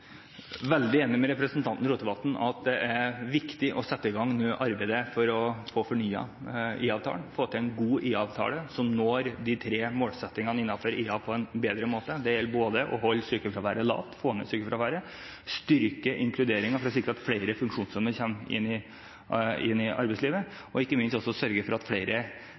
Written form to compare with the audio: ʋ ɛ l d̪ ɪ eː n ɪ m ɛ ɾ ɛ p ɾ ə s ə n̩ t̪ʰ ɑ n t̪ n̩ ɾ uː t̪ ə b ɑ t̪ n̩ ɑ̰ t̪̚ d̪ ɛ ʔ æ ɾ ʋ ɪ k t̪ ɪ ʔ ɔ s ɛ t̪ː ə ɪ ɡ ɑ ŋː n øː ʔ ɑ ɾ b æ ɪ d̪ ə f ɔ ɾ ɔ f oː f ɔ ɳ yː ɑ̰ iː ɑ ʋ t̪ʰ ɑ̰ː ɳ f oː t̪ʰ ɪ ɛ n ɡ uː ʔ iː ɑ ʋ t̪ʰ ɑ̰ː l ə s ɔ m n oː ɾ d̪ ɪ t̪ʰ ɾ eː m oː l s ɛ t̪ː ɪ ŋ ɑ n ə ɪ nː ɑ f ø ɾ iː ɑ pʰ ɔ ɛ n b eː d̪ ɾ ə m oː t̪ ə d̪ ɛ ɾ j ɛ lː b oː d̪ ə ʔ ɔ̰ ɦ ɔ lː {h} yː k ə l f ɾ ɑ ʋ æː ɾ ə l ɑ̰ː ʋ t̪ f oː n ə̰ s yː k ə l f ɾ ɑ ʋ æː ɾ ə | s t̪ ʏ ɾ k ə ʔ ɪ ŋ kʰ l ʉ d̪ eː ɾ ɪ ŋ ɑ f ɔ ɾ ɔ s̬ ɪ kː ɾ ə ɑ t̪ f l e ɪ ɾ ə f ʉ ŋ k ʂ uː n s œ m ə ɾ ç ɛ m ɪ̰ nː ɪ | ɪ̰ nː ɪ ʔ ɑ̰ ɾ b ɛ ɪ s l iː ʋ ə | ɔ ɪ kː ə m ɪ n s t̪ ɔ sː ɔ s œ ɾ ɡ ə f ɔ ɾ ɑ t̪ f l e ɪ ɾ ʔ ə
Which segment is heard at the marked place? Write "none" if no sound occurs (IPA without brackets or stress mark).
s